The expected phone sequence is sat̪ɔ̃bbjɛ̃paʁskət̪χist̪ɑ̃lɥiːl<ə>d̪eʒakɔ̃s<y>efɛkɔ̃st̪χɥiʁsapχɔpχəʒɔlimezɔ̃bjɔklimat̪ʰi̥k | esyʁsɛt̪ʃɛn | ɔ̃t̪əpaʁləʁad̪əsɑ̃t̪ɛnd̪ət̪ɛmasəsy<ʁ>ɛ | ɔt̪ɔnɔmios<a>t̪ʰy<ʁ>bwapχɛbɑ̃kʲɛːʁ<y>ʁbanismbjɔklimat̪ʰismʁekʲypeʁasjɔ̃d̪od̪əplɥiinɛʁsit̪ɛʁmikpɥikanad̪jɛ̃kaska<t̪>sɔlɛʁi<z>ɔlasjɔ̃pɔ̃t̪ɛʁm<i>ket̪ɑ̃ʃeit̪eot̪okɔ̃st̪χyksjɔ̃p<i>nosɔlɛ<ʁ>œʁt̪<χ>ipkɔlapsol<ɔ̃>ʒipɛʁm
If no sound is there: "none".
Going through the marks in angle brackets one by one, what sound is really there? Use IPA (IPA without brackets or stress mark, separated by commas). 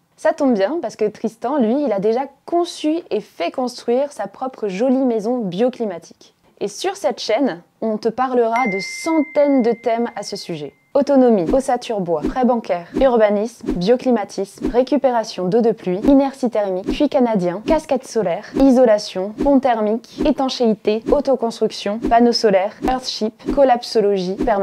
a, y, ʒ, a, ʁ, y, t̪, z, i, a, ʁ, ʃ, ɔ